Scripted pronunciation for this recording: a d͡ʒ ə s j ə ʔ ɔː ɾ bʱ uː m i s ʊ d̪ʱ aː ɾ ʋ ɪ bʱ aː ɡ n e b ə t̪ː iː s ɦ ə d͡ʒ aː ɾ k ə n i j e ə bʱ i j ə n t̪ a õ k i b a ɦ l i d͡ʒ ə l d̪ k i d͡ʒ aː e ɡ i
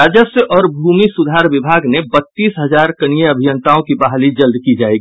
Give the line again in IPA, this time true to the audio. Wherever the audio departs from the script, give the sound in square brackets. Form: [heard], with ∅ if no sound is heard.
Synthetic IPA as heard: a d͡ʒ ə s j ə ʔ ɔː ɾ bʱ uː m i s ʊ d̪ʱ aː ɾ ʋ ɪ bʱ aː ɡ n e b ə t̪ː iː s ɦ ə d͡ʒ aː ɾ k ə n i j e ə bʱ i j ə n t̪ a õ k i b a ɦ l i d͡ʒ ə l d̪ k i d͡ʒ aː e ɡ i